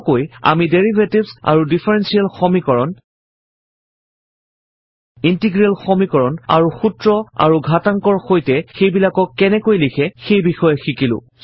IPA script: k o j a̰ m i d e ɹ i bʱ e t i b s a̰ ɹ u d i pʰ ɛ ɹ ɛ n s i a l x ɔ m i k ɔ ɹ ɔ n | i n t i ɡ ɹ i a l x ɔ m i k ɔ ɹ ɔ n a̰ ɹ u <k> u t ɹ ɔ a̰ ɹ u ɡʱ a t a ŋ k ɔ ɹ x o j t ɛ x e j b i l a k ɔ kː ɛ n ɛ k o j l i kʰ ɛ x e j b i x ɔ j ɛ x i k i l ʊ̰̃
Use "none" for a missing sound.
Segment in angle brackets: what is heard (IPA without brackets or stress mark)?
x